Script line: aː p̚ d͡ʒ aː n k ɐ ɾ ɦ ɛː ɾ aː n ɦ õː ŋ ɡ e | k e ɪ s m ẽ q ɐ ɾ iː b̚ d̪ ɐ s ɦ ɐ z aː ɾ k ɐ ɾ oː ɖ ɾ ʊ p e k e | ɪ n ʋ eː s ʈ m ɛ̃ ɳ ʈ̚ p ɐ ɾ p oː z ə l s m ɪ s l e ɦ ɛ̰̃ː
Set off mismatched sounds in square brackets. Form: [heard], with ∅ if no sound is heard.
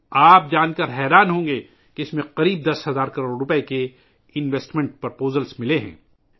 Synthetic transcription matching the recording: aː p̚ d͡ʒ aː n k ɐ ɾ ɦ ɛː ɾ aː n ɦ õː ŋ ɡ e | k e ɪ s m ẽ q ɐ ɾ iː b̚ d̪ ɐ s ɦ ɐ z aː ɾ k ɐ ɾ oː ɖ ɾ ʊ p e k e | ɪ n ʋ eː s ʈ m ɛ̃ ɳ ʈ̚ p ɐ ɾ p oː z ə l s m ɪ [∅] l e ɦ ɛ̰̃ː